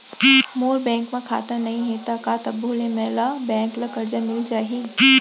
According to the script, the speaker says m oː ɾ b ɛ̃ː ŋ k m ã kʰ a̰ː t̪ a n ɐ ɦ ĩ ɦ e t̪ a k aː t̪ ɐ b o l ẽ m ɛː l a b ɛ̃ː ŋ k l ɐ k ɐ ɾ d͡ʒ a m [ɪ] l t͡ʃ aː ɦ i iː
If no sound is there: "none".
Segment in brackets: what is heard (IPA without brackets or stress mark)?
ɪ